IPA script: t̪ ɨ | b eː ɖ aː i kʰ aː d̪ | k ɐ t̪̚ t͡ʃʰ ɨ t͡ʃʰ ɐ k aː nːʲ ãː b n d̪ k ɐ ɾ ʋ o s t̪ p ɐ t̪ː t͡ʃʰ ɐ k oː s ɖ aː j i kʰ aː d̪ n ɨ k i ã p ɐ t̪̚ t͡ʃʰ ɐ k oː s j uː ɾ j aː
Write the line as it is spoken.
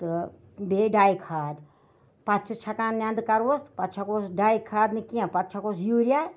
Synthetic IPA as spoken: t̪ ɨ | b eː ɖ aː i kʰ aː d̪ | p ɐ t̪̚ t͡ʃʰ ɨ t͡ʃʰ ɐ k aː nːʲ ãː n d̪ k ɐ ɾ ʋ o s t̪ p ɐ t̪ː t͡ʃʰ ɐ k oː s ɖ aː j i kʰ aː d̪ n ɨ k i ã p ɐ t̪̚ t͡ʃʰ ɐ k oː s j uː ɾ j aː